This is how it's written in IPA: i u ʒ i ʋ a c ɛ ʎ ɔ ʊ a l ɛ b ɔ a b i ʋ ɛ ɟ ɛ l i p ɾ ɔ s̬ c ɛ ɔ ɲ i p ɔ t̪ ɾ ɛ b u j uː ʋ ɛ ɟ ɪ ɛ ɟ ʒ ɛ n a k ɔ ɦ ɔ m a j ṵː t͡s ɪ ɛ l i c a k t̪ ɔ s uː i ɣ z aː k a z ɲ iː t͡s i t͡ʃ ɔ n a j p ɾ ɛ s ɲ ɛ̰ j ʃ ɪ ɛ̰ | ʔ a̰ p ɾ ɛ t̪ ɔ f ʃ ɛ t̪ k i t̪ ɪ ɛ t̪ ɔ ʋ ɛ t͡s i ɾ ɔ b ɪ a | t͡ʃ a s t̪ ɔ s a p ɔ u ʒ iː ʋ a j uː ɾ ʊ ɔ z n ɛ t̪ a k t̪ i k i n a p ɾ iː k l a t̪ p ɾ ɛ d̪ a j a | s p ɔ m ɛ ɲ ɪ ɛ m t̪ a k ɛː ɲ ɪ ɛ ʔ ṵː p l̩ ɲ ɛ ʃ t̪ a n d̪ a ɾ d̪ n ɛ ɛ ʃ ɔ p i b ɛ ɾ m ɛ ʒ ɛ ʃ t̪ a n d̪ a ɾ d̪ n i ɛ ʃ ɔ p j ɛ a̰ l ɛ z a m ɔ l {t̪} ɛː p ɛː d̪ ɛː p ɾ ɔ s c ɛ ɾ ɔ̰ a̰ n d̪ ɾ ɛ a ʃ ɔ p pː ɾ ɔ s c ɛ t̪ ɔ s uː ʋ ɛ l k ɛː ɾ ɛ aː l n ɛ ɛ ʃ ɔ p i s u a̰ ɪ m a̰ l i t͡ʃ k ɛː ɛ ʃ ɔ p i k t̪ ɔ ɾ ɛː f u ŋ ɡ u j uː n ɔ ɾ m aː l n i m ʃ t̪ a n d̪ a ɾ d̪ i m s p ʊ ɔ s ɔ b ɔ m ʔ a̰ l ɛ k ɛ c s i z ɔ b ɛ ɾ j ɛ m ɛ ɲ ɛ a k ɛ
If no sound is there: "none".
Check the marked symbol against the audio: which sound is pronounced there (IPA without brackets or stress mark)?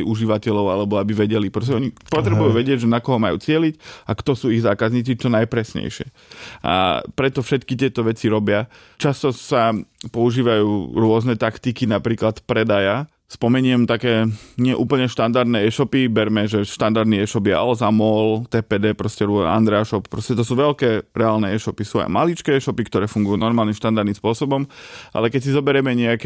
t̪